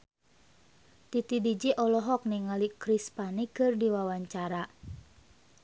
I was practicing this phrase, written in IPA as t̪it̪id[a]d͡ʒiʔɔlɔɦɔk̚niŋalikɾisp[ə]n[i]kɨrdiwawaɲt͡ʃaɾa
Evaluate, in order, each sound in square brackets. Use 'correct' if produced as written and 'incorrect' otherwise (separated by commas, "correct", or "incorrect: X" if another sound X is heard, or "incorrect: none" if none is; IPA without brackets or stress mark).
incorrect: i, incorrect: a, correct